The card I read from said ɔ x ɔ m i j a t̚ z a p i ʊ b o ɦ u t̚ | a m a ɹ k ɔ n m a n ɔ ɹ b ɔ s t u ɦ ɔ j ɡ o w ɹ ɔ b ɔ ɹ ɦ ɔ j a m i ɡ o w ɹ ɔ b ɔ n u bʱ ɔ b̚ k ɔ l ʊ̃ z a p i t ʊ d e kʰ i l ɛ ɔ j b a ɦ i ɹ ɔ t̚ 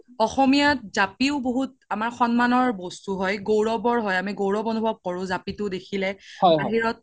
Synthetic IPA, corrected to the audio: ɔ x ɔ m i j a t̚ z a p i ʊ b o ɦ u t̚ | a m a ɹ x ɔ n m a n ɔ ɹ b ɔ s t u ɦ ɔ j ɡ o w ɹ ɔ b ɔ ɹ ɦ ɔ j a m i ɡ o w ɹ ɔ b ɔ n u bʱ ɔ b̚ k ɔ ɹ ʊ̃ z a p i t ʊ d e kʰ i l ɛ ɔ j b a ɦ i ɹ ɔ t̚

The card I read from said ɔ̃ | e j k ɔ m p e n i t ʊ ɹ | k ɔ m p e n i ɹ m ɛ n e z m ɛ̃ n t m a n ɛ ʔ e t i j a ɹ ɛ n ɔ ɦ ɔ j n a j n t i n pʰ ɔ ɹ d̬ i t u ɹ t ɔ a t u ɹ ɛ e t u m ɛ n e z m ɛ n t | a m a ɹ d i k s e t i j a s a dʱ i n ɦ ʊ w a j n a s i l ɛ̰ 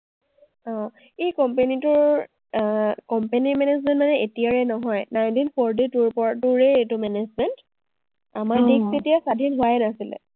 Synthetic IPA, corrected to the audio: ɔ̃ | e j k ɔ m p e n i t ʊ ɹ | k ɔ m p e n i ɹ m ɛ n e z m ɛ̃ n t m a n ɛ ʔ e t i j a ɹ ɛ n ɔ ɦ ɔ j n a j n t i n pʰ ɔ ɹ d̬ i t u ɹ p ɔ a t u ɹ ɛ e t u m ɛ n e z m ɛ n t | a m a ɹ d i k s e t i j a s a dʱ i n ɦ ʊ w a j n a s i l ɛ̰

